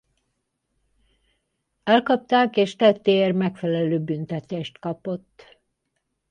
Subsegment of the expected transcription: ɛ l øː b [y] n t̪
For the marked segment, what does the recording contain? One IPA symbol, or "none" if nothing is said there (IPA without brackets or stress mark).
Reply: y